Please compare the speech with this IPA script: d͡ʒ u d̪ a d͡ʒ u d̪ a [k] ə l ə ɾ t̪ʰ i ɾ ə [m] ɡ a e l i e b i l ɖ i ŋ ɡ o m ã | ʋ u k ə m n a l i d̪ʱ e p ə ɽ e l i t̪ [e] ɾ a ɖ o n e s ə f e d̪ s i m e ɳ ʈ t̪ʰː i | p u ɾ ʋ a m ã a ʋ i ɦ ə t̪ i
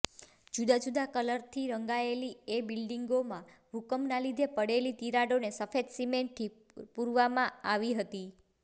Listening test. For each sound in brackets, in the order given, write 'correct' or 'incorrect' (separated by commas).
correct, incorrect, incorrect